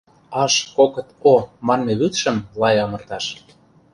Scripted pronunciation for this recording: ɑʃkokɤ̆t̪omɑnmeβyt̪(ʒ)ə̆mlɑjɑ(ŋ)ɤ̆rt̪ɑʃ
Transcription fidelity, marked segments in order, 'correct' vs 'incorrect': incorrect, incorrect

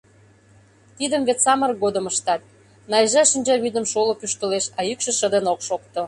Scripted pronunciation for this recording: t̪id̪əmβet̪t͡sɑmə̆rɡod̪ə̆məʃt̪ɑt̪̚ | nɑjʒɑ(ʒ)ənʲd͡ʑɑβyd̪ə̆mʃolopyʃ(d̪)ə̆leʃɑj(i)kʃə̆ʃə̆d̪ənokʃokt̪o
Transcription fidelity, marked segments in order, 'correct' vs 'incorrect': incorrect, incorrect, incorrect

